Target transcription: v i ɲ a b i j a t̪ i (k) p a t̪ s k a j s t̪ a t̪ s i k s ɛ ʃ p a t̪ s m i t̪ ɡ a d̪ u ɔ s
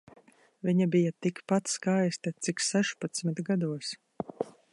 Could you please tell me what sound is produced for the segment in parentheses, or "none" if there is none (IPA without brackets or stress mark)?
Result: k